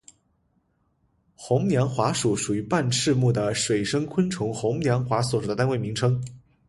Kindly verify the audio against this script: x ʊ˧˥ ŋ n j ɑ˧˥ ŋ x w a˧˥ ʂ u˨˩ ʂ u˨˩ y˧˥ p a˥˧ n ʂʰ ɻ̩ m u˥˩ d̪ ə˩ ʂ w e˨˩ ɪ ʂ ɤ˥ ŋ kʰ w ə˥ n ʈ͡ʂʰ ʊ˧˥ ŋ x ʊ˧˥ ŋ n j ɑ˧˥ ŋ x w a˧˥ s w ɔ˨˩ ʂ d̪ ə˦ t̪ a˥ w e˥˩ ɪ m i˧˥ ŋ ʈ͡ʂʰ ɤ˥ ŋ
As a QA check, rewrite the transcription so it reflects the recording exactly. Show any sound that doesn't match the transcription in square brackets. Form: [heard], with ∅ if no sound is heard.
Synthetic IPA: x ʊ˧˥ ŋ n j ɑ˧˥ ŋ x w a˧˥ ʂ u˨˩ ʂ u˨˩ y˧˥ p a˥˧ n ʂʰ ɻ̩ m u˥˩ d̪ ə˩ ʂ w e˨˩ ɪ ʂ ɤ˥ ŋ kʰ w ə˥ n ʈ͡ʂʰ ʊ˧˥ ŋ x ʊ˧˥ ŋ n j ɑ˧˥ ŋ x w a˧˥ s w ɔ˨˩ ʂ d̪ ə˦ t̪ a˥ w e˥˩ ɪ m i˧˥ ŋ ʈ͡ʂʰ ɤ˥ ŋ